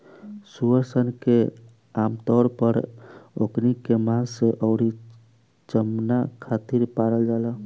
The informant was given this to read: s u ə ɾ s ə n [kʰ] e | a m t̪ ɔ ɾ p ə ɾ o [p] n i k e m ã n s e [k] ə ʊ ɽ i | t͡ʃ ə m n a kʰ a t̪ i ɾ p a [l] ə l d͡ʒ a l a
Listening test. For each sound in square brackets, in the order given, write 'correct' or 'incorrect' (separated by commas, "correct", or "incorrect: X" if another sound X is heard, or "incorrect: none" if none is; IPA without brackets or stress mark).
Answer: incorrect: k, incorrect: k, incorrect: ʔ, incorrect: ɾ